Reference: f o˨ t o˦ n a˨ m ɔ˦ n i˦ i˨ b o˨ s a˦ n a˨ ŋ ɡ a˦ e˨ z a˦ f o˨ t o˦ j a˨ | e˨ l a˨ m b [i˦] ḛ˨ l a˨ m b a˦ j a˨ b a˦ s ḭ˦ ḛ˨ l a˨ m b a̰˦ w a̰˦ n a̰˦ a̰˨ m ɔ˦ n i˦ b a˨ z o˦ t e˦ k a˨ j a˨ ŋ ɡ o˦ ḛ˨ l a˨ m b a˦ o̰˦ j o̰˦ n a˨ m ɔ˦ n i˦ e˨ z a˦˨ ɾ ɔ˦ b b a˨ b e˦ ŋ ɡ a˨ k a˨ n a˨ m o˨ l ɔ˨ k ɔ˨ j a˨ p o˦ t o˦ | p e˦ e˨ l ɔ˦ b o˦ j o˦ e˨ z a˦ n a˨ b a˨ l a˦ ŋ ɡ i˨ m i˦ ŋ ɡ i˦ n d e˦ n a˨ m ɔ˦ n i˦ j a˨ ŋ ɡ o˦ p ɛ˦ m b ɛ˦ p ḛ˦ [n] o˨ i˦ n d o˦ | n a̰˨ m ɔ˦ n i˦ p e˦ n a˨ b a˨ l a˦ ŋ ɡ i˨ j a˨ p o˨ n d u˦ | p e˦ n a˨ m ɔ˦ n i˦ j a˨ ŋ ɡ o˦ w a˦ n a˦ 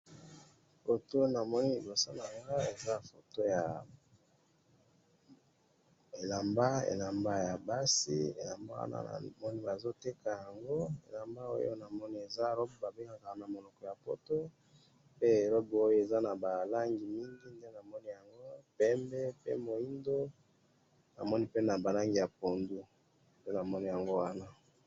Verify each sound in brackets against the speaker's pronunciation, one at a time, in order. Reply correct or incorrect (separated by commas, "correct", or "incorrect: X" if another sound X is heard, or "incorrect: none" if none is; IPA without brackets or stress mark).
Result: incorrect: a˦, incorrect: m